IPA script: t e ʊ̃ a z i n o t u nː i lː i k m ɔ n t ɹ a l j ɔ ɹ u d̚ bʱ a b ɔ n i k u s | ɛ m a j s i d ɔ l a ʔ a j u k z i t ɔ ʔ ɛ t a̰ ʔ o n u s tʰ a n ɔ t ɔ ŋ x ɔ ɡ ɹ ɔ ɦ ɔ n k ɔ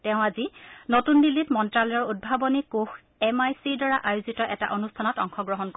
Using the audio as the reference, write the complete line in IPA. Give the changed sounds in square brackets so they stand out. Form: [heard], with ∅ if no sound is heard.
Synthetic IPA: t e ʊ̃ a z i n o t u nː i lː i [t] m ɔ n t ɹ a l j ɔ ɹ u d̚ bʱ a b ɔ n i k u [x] | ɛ m a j s i d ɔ [ɹ] a ʔ a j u [∅] z i t ɔ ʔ ɛ t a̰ ʔ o n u s tʰ a n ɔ t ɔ ŋ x ɔ ɡ ɹ ɔ ɦ ɔ n k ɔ